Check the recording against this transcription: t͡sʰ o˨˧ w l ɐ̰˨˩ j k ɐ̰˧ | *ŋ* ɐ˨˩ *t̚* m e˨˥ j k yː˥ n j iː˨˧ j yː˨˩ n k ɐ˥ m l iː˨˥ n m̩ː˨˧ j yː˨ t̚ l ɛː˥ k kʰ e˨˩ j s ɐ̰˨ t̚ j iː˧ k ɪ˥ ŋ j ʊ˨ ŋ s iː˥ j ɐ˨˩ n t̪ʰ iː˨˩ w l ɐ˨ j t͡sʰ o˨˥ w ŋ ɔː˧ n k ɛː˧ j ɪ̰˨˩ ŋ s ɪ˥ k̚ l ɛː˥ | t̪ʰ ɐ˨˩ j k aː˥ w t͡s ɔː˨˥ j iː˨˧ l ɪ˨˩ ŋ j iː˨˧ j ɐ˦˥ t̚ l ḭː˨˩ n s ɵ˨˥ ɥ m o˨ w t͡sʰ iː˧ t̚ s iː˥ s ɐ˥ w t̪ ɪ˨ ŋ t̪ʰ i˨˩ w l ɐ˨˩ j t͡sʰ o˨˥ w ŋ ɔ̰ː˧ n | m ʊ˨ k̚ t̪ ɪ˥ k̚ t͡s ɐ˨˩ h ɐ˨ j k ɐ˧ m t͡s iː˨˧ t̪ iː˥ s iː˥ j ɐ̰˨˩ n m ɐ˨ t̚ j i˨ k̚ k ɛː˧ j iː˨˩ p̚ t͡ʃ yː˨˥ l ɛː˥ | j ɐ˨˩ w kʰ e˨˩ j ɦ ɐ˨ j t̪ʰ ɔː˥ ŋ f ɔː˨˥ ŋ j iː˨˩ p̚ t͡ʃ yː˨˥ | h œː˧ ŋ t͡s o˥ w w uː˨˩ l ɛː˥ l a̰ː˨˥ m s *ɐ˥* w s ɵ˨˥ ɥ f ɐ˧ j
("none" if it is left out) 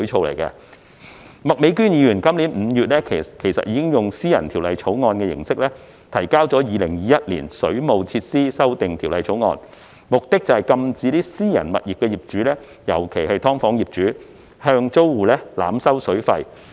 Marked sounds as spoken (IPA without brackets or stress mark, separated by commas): m, k̚, ɐ˥